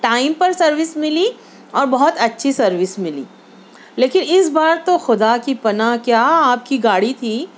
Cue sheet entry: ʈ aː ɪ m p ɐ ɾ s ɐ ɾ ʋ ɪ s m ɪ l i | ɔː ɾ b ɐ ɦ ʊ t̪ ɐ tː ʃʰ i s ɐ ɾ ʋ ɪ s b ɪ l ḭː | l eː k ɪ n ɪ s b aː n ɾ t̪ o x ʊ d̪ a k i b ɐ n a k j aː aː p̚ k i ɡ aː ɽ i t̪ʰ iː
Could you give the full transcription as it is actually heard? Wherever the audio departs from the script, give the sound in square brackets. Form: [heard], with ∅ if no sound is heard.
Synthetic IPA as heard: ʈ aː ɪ m p ɐ ɾ s ɐ ɾ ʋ ɪ s m ɪ l i | ɔː ɾ b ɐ ɦ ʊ t̪ ɐ tː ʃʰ i s ɐ ɾ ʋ ɪ s [m] ɪ l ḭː | l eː k ɪ n ɪ s b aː [∅] ɾ t̪ o x ʊ d̪ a k i [p] ɐ n a k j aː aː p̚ k i ɡ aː ɽ i t̪ʰ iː